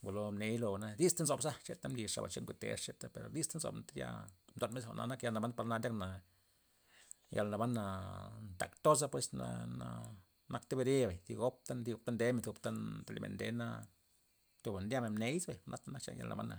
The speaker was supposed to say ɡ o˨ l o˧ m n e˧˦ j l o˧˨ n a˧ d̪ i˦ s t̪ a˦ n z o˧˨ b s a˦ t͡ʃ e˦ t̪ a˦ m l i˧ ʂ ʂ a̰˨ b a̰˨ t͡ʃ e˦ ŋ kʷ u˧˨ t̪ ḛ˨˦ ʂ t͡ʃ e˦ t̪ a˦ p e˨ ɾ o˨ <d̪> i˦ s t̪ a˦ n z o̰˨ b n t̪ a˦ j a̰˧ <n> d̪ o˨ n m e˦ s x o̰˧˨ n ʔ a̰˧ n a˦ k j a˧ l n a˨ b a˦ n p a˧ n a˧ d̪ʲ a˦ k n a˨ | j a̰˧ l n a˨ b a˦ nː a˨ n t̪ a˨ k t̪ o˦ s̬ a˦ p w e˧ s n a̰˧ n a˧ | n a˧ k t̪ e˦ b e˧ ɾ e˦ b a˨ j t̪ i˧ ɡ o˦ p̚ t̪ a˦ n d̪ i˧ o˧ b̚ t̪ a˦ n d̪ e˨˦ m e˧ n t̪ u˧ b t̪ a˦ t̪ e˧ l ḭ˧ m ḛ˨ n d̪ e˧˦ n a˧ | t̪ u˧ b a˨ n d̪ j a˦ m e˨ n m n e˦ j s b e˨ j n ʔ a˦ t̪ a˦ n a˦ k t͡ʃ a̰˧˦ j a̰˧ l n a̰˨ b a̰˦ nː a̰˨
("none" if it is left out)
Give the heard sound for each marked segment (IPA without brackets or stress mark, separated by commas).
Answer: d̪, m